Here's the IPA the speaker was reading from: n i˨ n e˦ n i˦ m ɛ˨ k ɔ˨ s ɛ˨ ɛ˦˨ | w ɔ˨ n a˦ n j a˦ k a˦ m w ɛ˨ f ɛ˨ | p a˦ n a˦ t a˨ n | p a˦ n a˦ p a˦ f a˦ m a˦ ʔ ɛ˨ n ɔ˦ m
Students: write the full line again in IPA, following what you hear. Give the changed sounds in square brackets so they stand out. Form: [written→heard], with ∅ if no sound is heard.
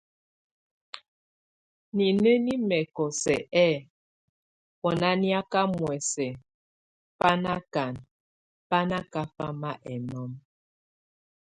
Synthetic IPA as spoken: n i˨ n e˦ n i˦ m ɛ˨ k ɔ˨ s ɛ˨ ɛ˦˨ | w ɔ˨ n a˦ n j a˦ k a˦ m w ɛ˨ [f→s] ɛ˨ | p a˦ n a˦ [t→k] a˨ n | p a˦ n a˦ [p→k] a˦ f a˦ m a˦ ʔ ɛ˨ n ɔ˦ m